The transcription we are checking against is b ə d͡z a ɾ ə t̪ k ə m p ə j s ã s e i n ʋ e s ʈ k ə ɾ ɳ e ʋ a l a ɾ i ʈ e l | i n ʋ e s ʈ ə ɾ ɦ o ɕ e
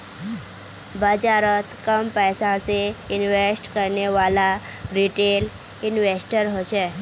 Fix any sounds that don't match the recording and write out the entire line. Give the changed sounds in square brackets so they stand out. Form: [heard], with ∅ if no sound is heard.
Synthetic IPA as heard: b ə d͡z a ɾ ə t̪ k ə m p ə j s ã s e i n ʋ e s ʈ k ə ɾ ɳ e ʋ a l a ɾ i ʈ e l | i n ʋ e s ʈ ə ɾ ɦ o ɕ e